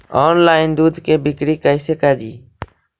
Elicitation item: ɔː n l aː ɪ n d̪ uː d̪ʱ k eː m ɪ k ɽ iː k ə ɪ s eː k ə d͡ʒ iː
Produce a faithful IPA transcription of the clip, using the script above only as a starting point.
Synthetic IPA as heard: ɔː n l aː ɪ n d̪ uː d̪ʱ k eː b ɪ k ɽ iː k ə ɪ s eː k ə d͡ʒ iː

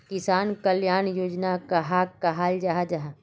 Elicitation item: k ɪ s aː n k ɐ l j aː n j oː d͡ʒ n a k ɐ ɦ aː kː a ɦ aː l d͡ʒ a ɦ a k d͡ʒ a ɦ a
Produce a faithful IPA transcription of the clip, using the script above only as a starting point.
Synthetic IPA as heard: k ɪ s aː n k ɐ l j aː n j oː d͡ʒ n a k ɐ ɦ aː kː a ɦ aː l d͡ʒ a ɦ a d͡ʒ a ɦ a

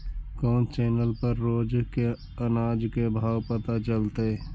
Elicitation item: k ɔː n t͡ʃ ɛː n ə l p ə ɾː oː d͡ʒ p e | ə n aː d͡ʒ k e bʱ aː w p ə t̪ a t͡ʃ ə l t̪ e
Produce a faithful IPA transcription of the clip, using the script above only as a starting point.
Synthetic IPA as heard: k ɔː n t͡ʃ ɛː n ə l p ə ɾː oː d͡ʒ k e | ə n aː d͡ʒ k e bʱ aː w p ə t̪ a t͡ʃ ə l t̪ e

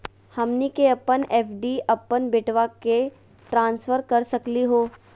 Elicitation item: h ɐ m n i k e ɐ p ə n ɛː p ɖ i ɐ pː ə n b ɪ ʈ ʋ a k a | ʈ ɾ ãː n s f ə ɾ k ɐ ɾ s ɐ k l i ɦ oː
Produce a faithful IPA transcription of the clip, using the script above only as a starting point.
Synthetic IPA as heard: h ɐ m n i k e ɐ p ə n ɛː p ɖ i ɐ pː ə n b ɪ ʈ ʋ a k e | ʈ ɾ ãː n s f ə ɾ k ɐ ɾ s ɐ k l i ɦ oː

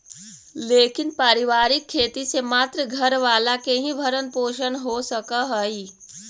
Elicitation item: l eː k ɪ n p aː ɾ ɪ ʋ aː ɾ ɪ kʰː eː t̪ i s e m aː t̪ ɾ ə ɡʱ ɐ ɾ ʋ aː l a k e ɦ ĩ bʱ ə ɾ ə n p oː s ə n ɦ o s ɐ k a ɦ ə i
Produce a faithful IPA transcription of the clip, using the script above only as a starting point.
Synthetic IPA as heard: l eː k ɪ n p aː ɾ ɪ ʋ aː ɾ ɪ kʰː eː t̪ i s e m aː t̪ ɾ ə ɡʱ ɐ ɾ ʋ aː l a k e ɦ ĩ bʱ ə ɾ ə n p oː ʃ ə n ɦ o s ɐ k a ɦ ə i

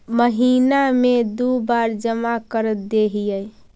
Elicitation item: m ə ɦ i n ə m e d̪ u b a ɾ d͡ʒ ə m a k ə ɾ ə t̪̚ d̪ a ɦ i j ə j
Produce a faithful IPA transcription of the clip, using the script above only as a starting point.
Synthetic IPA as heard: m ə ɦ i n a m e d̪ u b a ɾ d͡ʒ ə m a k ə ɾ ə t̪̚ d̪ e ɦ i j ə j

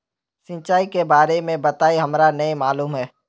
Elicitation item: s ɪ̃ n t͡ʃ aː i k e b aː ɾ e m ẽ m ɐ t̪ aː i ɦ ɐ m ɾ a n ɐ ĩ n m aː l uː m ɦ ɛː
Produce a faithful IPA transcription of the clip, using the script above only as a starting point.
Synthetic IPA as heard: s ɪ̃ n t͡ʃ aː i k e b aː ɾ e m ẽ b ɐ t̪ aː i ɦ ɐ m ɾ a n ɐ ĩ m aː l uː m ɦ ɛː

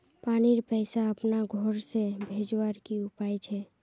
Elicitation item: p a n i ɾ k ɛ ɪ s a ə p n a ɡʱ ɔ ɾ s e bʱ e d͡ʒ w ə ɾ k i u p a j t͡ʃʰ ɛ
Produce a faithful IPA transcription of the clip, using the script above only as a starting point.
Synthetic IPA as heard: p a n i ɾ p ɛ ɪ s a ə p n a ɡʱ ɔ ɾ s e bʱ e d͡ʒ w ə ɾ k i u p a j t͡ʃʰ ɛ

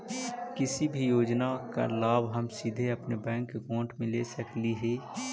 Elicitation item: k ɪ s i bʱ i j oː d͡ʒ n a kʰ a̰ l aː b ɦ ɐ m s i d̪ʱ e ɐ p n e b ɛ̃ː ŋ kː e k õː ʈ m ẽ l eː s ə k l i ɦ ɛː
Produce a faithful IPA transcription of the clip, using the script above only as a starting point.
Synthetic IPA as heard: k ɪ s i bʱ i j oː d͡ʒ n a k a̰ l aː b ɦ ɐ m s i d̪ʱ e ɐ p n e b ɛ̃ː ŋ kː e k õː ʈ m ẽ l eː s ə k l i ɦ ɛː

